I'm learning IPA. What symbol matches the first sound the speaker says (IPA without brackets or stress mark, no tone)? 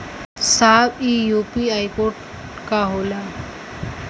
s